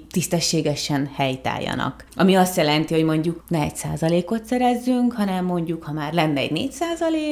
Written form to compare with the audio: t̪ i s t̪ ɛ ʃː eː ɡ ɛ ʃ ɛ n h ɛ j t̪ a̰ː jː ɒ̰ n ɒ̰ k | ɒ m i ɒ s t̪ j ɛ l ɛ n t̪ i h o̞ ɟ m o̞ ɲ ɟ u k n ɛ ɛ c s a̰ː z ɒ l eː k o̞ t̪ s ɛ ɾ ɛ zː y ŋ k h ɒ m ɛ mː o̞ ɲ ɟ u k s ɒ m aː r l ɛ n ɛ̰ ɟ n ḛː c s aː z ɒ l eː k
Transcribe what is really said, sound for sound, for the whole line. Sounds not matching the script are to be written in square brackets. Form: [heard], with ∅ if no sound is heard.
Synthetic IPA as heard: t̪ i s t̪ ɛ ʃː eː ɡ ɛ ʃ ɛ n h ɛ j t̪ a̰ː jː ɒ̰ n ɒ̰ k | ɒ m i ɒ s t̪ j ɛ l ɛ n t̪ i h o̞ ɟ m o̞ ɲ ɟ u k n ɛ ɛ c s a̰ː z ɒ l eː k o̞ t̪ s ɛ ɾ ɛ zː y ŋ k h ɒ [n] ɛ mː o̞ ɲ ɟ u k [h] ɒ m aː r l ɛ [nː] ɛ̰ ɟ n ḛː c s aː z ɒ l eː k